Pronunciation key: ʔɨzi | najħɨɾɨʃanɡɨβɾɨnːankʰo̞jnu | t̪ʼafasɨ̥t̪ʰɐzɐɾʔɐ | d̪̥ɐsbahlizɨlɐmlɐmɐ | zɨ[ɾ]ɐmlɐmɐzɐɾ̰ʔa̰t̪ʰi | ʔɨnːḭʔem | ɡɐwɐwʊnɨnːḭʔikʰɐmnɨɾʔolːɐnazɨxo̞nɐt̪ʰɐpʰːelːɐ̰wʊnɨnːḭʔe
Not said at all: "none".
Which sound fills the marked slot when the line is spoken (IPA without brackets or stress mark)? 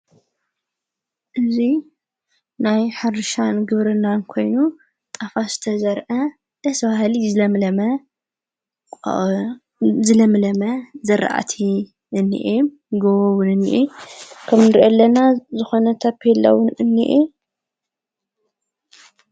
l